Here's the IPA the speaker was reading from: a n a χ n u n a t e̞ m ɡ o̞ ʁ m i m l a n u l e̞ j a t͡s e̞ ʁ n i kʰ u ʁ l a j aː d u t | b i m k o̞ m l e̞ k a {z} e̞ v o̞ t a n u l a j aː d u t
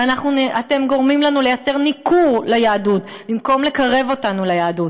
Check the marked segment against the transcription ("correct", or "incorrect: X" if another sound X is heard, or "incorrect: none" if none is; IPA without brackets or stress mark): incorrect: ʁ